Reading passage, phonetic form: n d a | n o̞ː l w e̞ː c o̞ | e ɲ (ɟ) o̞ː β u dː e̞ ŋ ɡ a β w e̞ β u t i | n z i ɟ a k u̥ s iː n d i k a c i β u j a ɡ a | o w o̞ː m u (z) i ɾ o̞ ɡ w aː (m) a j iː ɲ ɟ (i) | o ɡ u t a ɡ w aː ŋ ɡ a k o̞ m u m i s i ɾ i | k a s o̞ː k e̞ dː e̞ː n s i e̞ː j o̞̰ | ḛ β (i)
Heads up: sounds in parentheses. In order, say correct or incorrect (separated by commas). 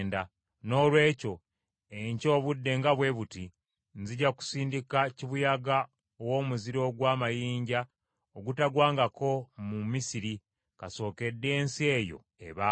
incorrect, correct, correct, incorrect, incorrect